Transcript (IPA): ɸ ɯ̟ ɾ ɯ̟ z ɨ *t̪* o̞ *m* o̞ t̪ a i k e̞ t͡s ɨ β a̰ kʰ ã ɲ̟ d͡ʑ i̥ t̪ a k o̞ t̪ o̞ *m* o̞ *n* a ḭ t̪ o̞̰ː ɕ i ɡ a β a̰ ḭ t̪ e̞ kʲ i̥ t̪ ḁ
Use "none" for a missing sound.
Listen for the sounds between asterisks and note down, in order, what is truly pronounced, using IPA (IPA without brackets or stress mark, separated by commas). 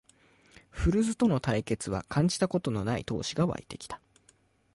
t̪, n, n, n